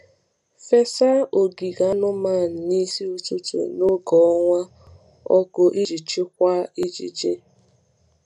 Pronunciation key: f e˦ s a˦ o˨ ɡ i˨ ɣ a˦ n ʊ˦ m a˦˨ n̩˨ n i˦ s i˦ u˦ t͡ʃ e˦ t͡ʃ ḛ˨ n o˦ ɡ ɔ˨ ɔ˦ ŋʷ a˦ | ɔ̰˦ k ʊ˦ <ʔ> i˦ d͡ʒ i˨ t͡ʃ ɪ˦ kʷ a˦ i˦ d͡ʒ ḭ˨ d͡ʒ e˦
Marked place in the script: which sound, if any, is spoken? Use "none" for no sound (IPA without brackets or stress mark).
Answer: ʔ